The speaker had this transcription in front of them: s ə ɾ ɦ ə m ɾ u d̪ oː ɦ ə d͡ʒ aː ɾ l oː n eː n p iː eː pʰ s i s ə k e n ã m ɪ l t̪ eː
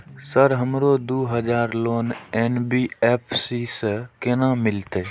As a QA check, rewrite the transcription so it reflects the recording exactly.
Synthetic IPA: s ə ɾ ɦ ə m ɾ o d̪ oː ɦ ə d͡ʒ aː ɾ l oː n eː n b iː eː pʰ s i s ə k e n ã m ɪ l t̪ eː